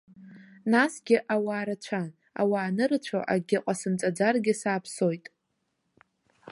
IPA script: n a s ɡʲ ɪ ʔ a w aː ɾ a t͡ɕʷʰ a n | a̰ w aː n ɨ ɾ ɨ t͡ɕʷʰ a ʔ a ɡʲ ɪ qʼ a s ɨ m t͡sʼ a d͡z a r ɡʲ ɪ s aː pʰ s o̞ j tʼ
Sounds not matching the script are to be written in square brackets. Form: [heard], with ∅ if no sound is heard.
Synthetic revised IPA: n a s ɡʲ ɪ ʔ a w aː ɾ a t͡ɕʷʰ a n | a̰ w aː n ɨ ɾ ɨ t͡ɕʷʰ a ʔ a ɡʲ ɪ qʼ a s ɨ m t͡sʼ a d͡z a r ɡʲ ɪ s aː pʰ s o̞ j tʼ